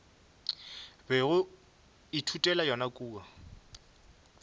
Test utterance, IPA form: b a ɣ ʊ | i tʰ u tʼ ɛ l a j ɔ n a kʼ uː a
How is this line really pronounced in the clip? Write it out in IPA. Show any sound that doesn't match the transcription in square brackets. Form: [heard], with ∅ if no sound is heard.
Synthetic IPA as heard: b [ɛ] ɣ ʊ | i tʰ u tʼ ɛ l a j ɔ n a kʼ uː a